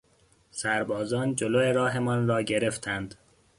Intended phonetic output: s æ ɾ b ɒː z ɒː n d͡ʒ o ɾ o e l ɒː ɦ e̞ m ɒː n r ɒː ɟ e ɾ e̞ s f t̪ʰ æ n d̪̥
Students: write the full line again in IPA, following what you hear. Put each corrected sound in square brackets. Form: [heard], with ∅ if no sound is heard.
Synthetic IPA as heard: s æ ɾ b ɒː z ɒː n d͡ʒ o [l] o e [ɾ] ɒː ɦ e̞ m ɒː n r ɒː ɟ e ɾ e̞ [∅] f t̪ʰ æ n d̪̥